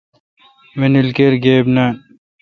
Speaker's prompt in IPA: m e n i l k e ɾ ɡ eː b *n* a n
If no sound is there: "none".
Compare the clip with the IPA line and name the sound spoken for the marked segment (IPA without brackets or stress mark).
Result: n